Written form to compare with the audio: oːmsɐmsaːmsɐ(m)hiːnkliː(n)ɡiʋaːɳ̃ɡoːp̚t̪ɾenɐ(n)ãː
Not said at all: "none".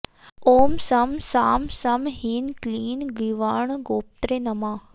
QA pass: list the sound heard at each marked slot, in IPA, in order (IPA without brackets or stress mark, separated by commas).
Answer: m, n, m